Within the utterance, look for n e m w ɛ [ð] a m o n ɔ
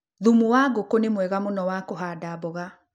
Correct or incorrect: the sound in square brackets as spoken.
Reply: incorrect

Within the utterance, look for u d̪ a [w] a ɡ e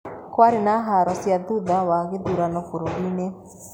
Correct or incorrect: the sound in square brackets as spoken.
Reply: correct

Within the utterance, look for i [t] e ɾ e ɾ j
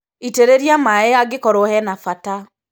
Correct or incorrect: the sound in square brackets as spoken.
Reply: correct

